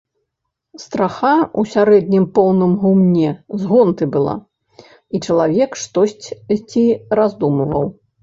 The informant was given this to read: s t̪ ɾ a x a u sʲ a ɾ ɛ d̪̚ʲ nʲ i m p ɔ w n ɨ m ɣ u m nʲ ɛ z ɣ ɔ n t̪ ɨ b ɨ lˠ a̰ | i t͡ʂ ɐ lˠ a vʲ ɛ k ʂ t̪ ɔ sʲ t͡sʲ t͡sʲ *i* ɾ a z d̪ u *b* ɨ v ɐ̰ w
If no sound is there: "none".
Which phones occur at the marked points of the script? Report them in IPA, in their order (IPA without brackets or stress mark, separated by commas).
i, m